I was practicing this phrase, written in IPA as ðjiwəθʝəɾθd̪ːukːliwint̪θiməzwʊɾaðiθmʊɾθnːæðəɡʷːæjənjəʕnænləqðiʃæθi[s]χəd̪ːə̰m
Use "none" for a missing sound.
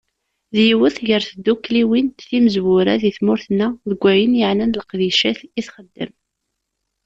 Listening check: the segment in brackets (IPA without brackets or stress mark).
θ